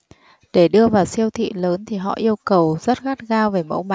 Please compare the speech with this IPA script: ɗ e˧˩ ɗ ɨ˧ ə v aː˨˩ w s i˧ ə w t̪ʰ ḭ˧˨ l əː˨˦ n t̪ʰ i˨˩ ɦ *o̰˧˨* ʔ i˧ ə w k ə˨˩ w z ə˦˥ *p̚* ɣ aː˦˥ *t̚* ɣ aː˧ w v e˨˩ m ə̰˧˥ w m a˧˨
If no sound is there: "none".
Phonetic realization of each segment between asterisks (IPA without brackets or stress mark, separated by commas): ɔ̰˧˨, t̚, t̚